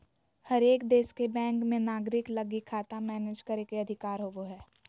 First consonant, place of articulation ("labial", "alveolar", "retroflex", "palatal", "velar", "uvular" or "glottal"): glottal